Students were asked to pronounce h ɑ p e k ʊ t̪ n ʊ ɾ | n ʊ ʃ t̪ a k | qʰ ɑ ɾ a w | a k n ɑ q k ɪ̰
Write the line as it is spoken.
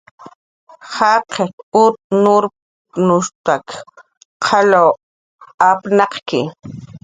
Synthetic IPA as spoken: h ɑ q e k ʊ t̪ n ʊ ɾ | n ʊ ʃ t̪ a k | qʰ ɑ l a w | a p n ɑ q k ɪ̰